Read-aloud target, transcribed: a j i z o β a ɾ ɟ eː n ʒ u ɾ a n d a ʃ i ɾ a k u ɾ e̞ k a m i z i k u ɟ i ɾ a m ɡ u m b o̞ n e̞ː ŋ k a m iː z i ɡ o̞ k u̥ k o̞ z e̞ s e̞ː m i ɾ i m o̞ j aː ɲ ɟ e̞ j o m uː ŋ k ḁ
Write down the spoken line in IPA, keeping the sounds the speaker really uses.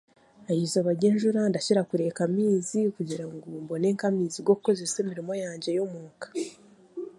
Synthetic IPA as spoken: a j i z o β a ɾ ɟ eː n ʒ u ɾ a n d a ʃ i ɾ a k u ɾ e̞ k a m iː z i k u ɟ i ɾ a ŋ ɡ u m b o̞ n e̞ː ŋ k a m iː z i ɡ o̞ k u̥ k o̞ z e̞ s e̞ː m i ɾ i m o̞ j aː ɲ ɟ e̞ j o m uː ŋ k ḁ